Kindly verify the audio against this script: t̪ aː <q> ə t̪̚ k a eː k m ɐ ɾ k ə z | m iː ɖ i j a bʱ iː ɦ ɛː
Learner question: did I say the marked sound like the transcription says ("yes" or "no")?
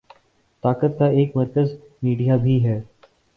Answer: no